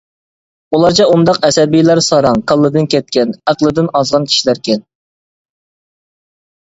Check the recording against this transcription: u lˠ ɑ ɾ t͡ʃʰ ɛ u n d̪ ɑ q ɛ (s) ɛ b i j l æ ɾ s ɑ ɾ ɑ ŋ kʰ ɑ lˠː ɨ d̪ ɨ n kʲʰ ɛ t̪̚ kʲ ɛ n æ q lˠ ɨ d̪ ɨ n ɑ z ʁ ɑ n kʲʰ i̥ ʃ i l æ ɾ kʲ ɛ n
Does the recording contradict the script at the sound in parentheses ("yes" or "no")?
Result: no